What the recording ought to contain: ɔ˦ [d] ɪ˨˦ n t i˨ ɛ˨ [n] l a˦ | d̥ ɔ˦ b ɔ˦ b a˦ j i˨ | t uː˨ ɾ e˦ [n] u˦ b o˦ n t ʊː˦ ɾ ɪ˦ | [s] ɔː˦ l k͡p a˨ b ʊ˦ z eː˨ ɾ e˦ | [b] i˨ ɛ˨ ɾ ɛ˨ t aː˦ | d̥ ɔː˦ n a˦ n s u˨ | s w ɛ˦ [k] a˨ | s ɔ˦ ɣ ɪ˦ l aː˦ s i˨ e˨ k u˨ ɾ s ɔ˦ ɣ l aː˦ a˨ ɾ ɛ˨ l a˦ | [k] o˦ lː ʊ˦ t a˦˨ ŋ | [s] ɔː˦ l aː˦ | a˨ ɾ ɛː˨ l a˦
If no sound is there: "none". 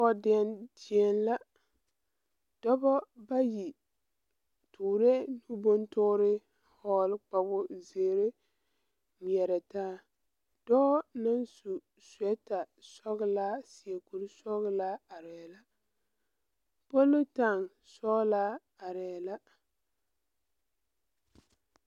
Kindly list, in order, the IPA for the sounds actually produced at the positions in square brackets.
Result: d, n, n, h, m, t, p, s

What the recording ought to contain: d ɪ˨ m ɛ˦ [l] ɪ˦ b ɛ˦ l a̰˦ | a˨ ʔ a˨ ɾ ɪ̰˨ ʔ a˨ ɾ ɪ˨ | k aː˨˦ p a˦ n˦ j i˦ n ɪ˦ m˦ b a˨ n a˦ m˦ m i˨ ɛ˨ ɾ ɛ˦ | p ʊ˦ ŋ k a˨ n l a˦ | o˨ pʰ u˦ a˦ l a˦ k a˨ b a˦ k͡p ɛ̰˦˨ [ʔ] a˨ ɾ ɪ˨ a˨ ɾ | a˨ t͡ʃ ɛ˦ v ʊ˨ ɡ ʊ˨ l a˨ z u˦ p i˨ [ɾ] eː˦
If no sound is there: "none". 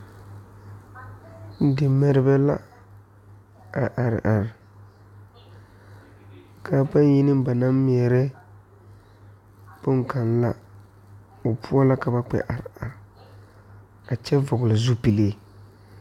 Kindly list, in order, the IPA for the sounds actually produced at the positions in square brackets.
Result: ɾ, ʔ, l

